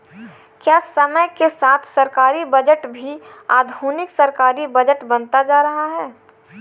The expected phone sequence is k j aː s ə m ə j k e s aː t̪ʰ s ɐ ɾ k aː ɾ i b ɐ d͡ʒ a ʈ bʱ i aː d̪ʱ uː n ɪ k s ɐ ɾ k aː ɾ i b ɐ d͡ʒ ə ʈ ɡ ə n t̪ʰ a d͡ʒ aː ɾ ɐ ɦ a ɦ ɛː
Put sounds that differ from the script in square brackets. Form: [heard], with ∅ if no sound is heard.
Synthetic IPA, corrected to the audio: k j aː s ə m ə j k e s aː t̪ʰ s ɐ ɾ k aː ɾ i b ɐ d͡ʒ [ə] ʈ bʱ i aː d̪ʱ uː n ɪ k s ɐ ɾ k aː ɾ i b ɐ d͡ʒ ə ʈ [b] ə n [t̪] a d͡ʒ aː ɾ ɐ ɦ a ɦ ɛː